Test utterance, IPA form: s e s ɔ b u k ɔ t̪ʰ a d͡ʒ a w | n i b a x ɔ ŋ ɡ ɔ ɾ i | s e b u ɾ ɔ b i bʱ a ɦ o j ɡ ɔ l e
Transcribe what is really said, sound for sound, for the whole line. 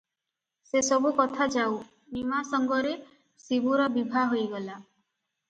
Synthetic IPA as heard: s e s ɔ b u k ɔ t̪ʰ a d͡ʒ a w | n i m a s ɔ ŋ ɡ ɔ ɾ e | s i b u ɾ ɔ b i bʱ a ɦ o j ɡ ɔ l a